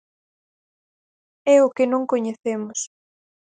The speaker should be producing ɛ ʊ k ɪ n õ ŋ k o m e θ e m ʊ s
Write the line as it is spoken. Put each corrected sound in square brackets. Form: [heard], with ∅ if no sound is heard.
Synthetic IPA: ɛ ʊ k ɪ n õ ŋ k o [ɲ] e θ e m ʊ s